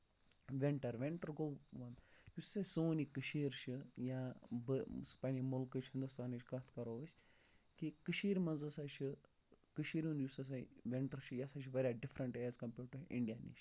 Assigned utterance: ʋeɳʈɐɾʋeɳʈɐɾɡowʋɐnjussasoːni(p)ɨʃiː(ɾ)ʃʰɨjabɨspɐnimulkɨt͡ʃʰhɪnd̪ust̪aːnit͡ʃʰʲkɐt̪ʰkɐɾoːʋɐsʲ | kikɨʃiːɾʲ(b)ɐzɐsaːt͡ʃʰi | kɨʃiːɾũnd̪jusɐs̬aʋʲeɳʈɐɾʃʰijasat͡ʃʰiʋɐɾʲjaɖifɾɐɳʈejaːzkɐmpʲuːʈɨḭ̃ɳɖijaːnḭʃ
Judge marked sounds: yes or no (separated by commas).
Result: no, yes, no